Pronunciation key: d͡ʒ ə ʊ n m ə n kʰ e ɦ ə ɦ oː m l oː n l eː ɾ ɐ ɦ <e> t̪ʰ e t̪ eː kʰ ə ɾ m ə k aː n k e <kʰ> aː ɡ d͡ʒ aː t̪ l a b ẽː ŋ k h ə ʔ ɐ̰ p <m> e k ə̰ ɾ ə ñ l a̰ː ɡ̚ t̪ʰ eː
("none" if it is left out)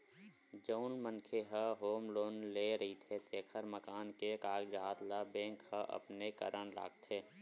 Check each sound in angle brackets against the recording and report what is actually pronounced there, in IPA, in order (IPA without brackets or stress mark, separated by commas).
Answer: i, k, n